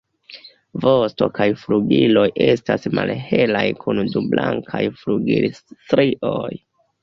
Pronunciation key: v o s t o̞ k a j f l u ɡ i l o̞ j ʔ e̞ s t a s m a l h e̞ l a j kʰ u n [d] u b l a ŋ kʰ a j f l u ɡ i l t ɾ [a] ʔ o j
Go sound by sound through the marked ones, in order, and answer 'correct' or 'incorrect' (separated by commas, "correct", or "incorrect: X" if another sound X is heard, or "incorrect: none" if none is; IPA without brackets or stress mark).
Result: correct, incorrect: i